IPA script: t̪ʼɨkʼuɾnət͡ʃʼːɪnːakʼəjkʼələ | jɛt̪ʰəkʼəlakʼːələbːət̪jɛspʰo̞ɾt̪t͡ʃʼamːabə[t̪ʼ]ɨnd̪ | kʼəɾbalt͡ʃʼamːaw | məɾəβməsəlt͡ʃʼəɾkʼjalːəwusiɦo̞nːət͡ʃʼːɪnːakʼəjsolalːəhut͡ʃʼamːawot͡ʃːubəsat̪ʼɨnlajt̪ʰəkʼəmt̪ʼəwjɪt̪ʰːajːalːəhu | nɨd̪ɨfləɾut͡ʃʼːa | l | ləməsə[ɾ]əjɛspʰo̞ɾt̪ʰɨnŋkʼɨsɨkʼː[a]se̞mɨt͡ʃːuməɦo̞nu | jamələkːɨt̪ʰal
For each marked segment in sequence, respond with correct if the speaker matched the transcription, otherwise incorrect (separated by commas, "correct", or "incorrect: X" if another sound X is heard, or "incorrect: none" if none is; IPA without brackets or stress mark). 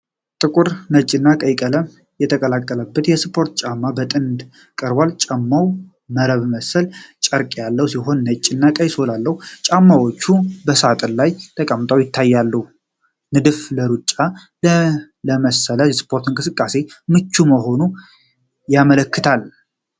correct, incorrect: l, correct